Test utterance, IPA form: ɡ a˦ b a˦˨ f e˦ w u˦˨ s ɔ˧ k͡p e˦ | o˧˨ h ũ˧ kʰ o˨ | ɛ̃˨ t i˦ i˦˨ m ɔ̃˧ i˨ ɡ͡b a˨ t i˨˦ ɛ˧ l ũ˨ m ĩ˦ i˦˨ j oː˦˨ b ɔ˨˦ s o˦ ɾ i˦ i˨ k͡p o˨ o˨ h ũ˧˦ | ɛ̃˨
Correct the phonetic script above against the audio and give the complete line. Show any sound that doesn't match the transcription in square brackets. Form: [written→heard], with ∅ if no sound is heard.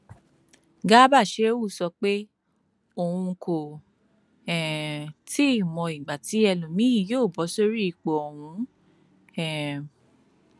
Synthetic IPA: ɡ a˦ b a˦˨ [f→ʃ] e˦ w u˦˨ s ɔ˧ k͡p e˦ | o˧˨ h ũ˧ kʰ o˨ | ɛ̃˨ t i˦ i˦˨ m ɔ̃˧ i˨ ɡ͡b a˨ t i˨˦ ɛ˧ l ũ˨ m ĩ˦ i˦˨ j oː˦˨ b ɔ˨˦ s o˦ ɾ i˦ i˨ k͡p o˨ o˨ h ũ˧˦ | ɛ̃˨